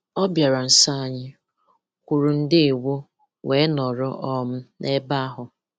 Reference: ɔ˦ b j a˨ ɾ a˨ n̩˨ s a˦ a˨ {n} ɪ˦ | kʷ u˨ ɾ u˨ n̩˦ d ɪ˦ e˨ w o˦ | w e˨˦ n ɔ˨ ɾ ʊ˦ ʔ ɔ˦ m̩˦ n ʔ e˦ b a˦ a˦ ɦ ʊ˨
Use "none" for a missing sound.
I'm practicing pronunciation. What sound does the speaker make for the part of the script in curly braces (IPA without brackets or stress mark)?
ɲ